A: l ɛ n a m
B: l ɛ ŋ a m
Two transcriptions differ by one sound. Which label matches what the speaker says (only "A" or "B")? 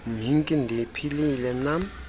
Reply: A